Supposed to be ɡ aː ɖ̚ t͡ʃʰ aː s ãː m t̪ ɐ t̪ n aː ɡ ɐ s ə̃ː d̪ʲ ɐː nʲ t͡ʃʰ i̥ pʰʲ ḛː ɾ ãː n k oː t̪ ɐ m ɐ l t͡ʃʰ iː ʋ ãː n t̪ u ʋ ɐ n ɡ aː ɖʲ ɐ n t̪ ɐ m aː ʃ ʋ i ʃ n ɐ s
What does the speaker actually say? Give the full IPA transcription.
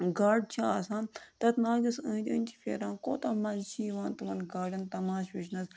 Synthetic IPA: ɡ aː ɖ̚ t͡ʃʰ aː s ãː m t̪ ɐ t̪ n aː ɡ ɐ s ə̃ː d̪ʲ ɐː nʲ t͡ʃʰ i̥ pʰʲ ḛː ɾ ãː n k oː t̪ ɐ m ɐ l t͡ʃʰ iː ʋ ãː n t̪ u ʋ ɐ n ɡ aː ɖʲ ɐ n t̪ ɐ m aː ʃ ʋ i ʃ n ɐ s